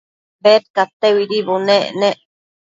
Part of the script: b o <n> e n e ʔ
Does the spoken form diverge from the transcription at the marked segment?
no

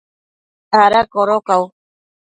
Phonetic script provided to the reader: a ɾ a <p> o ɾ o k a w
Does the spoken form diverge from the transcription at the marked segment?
yes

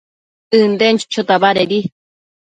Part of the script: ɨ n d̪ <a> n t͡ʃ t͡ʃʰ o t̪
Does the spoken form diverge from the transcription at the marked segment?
yes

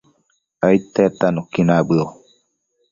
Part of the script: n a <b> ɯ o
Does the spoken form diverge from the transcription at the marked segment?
no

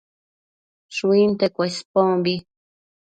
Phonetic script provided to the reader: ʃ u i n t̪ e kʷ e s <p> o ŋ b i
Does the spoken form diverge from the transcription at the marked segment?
no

